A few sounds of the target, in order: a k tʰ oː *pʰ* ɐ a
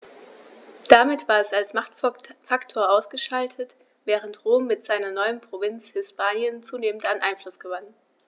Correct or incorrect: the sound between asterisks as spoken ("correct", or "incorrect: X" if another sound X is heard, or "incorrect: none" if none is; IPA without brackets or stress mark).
incorrect: none